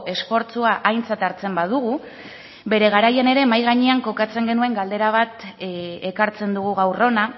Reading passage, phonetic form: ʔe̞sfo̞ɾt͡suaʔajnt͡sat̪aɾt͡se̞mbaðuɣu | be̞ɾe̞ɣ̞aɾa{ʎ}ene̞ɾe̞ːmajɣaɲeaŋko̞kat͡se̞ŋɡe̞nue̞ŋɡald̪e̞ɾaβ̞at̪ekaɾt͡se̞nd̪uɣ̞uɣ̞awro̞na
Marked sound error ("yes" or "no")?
yes